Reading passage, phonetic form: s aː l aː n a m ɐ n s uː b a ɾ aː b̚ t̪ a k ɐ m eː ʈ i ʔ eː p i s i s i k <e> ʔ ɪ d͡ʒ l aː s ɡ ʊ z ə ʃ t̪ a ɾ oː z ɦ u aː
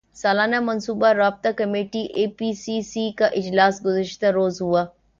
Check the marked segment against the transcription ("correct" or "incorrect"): incorrect